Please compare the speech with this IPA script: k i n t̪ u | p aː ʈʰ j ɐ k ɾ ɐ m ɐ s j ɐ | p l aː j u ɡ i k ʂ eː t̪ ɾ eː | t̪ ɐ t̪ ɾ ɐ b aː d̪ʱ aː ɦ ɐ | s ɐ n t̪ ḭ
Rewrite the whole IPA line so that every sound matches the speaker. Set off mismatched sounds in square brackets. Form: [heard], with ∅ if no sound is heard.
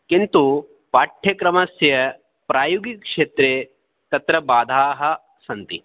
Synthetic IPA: k i n t̪ u | p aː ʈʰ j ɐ k ɾ ɐ m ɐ s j ɐ | p [ɾ] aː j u ɡ i k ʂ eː t̪ ɾ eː | t̪ ɐ t̪ ɾ ɐ b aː d̪ʱ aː ɦ ɐ | s ɐ n t̪ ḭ